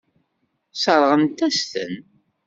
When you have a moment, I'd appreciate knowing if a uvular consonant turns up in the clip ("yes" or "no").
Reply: yes